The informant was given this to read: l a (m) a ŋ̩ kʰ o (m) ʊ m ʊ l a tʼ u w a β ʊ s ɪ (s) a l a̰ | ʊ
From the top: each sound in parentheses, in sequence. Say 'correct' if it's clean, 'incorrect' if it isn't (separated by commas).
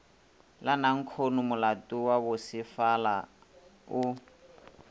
incorrect, incorrect, incorrect